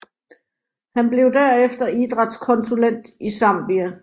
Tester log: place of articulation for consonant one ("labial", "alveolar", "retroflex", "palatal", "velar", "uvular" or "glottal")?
glottal